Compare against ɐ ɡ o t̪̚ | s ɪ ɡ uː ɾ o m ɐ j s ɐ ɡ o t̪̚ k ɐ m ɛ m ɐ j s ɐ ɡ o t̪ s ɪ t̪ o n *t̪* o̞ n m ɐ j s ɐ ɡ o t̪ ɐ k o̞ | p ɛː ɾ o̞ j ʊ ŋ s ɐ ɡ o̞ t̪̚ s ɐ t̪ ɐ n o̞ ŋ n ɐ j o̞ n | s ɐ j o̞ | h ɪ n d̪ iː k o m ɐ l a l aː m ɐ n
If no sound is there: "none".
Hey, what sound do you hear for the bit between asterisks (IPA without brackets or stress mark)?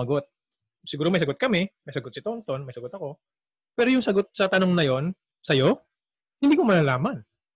t̪